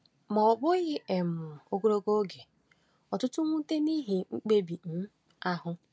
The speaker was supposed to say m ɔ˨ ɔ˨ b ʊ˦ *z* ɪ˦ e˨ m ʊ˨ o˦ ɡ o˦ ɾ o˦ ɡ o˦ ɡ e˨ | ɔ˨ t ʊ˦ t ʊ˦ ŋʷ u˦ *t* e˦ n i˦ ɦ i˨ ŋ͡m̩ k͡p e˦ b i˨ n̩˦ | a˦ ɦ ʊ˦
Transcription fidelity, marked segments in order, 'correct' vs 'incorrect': incorrect: ɣ, correct

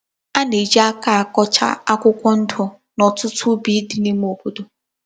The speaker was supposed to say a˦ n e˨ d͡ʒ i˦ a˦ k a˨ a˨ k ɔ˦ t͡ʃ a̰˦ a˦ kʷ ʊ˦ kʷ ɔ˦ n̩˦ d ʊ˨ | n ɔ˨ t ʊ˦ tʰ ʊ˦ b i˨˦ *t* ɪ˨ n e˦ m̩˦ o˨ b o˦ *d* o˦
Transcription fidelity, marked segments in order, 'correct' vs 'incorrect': incorrect: d, correct

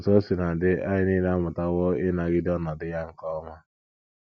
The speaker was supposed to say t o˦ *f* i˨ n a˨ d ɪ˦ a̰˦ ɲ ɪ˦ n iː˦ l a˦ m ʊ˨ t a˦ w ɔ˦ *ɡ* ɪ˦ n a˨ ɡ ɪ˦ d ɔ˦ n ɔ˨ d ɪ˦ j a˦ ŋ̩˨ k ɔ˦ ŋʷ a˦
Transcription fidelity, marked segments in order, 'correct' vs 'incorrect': incorrect: s, incorrect: none

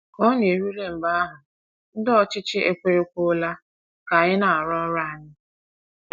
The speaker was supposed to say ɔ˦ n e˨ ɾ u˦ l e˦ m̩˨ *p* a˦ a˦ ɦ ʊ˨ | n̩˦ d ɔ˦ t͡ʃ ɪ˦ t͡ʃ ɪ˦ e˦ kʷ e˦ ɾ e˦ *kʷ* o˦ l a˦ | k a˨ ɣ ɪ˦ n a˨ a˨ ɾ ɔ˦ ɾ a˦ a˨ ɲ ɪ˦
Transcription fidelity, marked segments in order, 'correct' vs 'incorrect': incorrect: b, correct

